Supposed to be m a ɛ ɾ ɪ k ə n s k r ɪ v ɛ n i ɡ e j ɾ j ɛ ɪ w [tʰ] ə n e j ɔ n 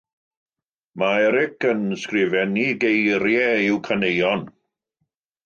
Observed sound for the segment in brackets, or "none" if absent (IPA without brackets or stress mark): kʰ